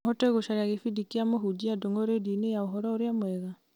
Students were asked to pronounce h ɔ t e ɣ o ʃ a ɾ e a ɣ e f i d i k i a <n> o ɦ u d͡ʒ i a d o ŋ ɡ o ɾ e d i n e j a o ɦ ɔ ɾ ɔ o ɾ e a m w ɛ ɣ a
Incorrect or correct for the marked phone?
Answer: incorrect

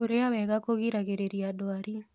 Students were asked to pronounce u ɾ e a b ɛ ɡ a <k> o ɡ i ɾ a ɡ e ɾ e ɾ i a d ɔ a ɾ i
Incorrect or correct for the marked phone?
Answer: correct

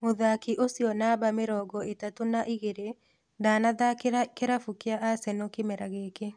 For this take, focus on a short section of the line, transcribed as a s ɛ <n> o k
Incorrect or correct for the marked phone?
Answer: correct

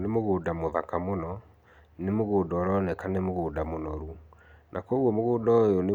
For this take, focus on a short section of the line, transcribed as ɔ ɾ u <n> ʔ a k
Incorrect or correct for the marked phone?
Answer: correct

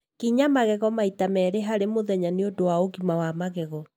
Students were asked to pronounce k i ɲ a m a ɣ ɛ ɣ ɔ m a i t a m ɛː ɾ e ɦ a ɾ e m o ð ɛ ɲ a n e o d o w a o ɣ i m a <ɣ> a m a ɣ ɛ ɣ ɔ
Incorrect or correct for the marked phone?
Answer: incorrect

